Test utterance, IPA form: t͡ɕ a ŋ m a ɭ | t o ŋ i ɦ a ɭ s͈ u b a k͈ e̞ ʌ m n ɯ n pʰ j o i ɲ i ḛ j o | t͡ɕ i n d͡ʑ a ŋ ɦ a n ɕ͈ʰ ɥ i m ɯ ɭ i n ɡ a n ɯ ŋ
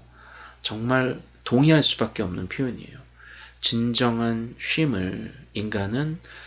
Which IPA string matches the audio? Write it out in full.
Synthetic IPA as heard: t͡ɕ ʌ ŋ m a ɭ | t o ŋ i ɦ a ɭ s͈ u b a k͈ e̞ ʌ m n ɯ n pʰ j o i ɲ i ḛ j o | t͡ɕ i n d͡ʑ ʌ ŋ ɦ a n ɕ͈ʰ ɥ i m ɯ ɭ i n ɡ a n ɯ n